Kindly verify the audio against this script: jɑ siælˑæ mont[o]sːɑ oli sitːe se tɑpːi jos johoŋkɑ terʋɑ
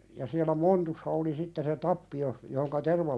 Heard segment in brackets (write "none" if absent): u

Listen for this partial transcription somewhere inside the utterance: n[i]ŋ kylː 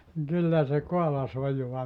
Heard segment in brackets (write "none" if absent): i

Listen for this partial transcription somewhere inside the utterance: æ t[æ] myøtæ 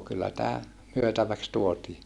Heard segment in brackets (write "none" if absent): æː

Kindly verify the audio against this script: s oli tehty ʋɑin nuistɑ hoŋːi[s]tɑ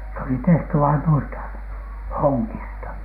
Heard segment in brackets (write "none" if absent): s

